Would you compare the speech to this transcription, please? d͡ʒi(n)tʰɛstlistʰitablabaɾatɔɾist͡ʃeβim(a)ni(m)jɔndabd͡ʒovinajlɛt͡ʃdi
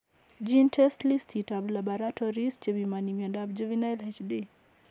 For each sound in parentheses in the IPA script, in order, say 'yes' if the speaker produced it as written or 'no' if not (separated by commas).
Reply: yes, yes, yes